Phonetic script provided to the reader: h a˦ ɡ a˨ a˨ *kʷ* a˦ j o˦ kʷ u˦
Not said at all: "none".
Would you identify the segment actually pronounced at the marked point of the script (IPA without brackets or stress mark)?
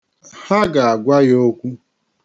ɡʷ